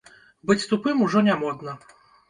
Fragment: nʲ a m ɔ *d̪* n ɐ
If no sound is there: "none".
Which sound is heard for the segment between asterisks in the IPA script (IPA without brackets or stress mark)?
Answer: d̪